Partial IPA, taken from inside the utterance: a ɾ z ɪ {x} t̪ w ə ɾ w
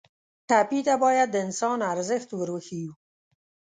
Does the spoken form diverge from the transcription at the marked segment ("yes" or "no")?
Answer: no